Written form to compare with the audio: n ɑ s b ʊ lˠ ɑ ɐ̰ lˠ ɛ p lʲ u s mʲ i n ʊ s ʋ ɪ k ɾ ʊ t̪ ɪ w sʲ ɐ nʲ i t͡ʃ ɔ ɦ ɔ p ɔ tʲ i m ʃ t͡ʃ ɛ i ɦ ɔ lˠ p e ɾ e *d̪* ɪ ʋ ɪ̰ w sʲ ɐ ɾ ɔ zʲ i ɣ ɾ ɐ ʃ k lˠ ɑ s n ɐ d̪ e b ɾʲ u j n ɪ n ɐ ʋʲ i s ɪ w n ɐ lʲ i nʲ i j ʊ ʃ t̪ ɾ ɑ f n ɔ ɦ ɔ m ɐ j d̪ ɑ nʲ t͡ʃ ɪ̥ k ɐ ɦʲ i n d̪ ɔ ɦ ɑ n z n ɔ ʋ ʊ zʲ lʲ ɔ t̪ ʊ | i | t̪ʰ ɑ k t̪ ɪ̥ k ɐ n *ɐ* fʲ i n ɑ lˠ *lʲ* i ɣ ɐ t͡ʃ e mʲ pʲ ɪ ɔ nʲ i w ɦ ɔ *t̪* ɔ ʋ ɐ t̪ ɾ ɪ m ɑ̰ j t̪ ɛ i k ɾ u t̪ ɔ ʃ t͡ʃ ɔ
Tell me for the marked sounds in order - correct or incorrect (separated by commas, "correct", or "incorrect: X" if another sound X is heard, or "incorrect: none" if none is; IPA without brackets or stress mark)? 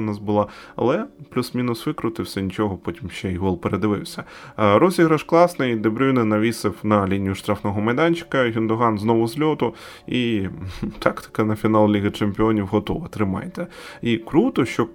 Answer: correct, correct, correct, correct